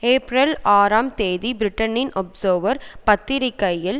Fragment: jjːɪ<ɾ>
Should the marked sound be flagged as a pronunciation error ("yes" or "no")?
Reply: yes